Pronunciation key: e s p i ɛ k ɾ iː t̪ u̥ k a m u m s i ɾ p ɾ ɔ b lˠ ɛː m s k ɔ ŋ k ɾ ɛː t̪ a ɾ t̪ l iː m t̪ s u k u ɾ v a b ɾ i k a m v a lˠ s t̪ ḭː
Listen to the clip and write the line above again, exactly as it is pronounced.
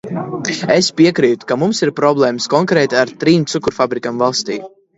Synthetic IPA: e s p i ɛ k ɾ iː t̪ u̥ k a m u m s i ɾ p ɾ ɔ b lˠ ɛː m s k ɔ ŋ k ɾ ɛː t̪ a ɾ t̪ ɾ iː m t̪ s u k u ɾ f a b ɾ i k a m v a lˠ s t̪ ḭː